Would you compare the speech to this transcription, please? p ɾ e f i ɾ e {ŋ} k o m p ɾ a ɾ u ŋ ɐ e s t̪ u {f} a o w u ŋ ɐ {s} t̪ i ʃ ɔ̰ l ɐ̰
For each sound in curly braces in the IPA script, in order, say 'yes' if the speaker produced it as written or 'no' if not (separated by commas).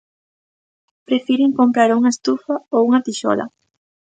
yes, yes, no